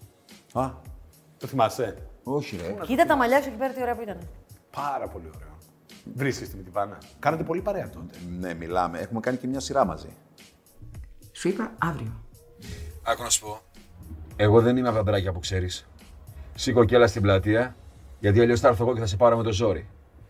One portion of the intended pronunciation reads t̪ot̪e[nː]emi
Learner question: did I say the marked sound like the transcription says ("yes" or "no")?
no